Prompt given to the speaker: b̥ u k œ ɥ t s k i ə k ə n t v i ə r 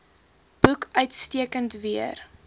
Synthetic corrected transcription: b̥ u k œ ɥ t s t i ə k ə n t v i ə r

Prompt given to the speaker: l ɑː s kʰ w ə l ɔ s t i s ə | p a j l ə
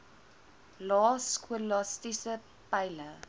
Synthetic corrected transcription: l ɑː s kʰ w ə l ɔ s t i s ə | p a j l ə

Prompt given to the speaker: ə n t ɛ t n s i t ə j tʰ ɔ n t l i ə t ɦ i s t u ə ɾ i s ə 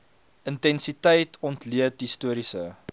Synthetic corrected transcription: ə n t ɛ n s i t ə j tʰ ɔ n t l i ə t ɦ i s t u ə ɾ i s ə

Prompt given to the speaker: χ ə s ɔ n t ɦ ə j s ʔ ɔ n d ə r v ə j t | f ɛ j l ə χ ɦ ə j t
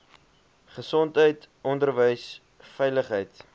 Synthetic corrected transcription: χ ə s ɔ n t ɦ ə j t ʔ ɔ n d ə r v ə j s | f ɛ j l ə χ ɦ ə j t

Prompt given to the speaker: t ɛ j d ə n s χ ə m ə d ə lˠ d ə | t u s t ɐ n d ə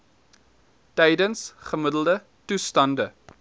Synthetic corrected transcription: t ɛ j d ə n s χ ə m ə d ə lˠ d ə | t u s t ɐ n d ə

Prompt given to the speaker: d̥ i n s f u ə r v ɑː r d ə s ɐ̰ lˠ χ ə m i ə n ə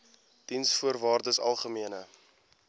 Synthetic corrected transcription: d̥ i n s f u ə r v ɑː r d ə s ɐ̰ lˠ χ ə m i ə n ə

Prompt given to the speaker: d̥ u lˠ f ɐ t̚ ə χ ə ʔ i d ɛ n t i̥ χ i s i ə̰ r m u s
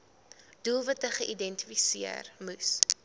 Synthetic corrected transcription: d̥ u lˠ v ɐ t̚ ə χ ə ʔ i d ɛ n t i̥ f i s i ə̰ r m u s

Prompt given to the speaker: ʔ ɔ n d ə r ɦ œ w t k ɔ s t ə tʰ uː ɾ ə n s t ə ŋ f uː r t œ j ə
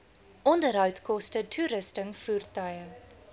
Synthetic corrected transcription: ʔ ɔ n d ə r ɦ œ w t k ɔ s t ə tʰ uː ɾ ə s t ə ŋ f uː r t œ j ə

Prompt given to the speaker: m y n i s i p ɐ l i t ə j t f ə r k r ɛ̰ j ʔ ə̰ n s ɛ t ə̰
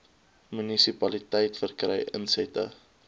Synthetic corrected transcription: m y n i s i p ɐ l i t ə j t f ə r k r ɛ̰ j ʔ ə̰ n s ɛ t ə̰

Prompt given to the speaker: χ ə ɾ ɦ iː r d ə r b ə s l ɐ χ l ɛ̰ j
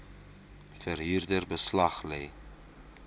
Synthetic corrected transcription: f ə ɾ ɦ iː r d ə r b ə s l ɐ χ l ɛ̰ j

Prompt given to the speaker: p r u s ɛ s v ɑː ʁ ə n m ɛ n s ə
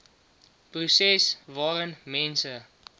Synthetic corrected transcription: p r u s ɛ s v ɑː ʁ ə n m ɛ n s ə

